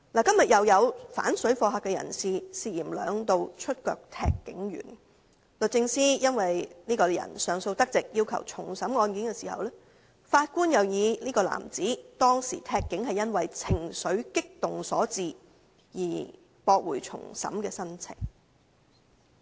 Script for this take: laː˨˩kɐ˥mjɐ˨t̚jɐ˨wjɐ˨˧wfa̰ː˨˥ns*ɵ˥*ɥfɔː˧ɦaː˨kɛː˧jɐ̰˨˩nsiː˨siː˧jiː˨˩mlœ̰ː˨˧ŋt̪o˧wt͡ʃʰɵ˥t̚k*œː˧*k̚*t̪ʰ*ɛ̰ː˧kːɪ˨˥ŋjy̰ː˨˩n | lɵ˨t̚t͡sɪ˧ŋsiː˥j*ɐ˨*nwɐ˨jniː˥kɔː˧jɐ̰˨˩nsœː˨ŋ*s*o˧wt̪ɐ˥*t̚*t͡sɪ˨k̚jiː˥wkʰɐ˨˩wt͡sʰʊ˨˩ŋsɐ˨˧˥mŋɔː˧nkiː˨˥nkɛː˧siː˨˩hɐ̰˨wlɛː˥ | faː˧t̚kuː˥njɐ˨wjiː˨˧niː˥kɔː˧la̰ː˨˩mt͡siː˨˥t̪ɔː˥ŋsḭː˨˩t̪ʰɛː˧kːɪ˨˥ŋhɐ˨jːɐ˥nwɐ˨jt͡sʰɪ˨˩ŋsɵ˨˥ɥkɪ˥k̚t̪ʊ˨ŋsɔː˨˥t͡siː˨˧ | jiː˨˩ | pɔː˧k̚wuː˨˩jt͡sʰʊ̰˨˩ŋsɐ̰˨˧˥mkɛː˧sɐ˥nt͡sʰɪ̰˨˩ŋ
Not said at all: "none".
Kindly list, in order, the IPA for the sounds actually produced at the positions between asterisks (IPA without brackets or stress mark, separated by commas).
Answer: ɵ˨˥, œː˧, t̪ʰ, ɐ˥, s, k̚